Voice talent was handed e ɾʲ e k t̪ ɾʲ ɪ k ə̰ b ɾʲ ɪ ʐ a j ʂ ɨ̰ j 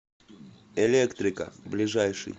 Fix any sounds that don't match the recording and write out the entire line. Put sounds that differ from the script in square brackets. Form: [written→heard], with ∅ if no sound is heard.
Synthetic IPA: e [ɾʲ→lʲ] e k t̪ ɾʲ ɪ k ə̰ b [ɾʲ→lʲ] ɪ ʐ a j ʂ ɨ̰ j